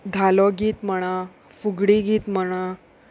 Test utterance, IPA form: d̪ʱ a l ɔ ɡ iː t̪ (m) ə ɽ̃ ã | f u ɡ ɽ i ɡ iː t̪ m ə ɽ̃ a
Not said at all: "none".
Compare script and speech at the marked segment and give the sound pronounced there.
m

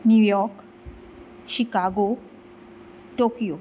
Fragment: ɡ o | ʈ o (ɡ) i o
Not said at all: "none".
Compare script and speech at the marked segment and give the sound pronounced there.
k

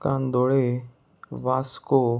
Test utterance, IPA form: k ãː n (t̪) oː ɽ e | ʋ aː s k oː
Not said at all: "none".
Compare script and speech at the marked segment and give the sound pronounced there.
d̪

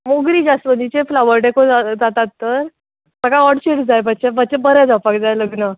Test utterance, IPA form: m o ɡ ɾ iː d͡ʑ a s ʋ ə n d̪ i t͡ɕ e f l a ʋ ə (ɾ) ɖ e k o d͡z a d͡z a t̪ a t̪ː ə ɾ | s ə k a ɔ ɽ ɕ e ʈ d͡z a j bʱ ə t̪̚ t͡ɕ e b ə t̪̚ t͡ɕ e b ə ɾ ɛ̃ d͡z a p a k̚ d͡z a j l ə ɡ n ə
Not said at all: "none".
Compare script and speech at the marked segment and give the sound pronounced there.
ɾ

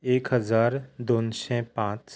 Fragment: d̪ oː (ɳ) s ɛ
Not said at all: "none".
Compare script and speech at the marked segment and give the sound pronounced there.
n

